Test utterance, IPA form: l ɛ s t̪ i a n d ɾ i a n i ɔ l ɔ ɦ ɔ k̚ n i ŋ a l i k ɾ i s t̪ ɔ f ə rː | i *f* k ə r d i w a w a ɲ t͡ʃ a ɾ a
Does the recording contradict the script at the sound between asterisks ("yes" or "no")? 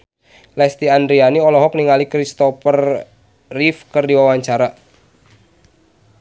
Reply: no